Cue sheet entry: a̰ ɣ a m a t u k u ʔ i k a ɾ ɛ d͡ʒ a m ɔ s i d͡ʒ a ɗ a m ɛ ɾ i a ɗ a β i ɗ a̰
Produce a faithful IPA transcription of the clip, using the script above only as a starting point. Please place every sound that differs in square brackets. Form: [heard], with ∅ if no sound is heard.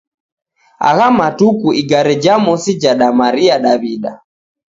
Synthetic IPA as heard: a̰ ɣ a m a t u k u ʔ i [ɡ] a ɾ ɛ d͡ʒ a m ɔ s i d͡ʒ a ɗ a m [a] ɾ i a ɗ a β i ɗ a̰